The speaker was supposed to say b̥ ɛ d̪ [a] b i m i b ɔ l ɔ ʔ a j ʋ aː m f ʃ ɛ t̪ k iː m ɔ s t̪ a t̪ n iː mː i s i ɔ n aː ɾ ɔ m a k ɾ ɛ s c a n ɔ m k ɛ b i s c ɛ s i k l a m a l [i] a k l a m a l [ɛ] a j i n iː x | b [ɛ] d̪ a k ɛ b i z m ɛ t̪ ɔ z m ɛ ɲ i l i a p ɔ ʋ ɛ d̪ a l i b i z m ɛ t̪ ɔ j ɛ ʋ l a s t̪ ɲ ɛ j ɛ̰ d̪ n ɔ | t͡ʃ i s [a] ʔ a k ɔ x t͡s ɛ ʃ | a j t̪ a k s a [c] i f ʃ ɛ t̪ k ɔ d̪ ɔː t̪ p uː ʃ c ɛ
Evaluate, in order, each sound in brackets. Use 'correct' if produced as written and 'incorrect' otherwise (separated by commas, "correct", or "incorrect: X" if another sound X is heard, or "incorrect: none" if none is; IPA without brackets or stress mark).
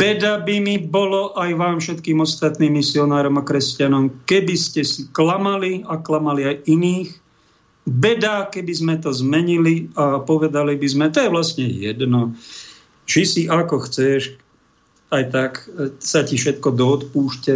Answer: correct, correct, incorrect: i, correct, incorrect: i, correct